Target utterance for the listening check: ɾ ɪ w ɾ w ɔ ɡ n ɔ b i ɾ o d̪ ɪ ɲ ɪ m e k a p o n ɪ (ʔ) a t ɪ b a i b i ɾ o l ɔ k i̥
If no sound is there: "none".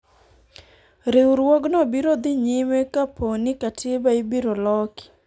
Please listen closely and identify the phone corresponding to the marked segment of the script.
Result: k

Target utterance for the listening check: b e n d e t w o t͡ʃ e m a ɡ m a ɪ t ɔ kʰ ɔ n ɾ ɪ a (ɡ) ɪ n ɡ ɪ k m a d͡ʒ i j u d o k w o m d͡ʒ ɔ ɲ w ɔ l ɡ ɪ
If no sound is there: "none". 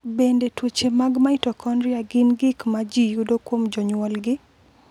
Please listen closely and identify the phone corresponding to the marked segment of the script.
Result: ɡ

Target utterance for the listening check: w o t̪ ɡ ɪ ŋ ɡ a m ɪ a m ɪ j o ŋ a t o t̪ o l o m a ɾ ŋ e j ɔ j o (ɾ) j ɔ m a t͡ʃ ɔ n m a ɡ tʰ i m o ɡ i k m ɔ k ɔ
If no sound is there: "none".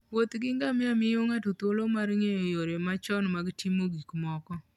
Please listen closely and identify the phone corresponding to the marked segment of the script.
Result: ɾ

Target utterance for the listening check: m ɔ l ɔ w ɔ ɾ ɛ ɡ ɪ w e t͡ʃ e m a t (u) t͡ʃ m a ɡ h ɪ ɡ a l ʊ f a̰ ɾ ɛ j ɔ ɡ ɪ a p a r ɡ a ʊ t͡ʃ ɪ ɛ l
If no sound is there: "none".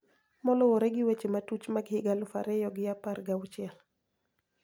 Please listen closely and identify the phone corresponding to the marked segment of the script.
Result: u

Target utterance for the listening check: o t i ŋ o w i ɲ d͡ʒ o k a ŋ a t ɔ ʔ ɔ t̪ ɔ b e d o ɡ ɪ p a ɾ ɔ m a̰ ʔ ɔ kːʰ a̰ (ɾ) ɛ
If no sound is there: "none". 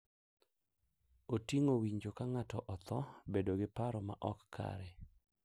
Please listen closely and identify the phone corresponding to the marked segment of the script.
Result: ɾ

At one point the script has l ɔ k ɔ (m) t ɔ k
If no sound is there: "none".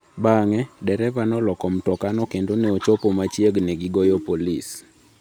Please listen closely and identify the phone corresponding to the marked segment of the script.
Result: m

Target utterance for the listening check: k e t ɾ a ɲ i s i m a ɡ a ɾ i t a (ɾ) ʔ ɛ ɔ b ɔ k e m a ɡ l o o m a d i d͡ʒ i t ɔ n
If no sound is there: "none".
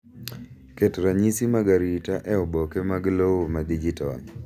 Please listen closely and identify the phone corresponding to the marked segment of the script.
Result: none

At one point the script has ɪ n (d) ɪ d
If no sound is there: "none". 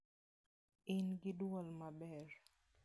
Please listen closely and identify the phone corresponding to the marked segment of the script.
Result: ɡ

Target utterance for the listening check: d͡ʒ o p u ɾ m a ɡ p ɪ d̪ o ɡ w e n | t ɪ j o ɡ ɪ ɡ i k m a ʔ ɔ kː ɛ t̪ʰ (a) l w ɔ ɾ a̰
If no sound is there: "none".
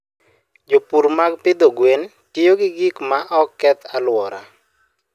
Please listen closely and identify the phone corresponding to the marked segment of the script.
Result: a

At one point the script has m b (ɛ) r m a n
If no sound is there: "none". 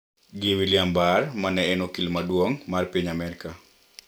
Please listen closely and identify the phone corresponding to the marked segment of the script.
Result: a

